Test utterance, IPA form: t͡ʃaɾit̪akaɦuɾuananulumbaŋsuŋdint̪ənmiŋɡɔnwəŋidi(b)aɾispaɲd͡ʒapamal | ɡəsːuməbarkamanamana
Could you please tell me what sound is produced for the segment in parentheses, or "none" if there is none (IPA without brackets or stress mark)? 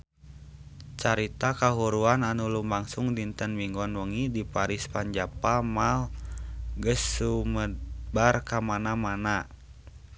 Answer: p